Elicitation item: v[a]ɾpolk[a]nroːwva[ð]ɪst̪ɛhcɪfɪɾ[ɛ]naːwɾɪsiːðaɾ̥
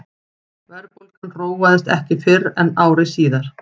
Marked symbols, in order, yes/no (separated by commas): no, yes, yes, yes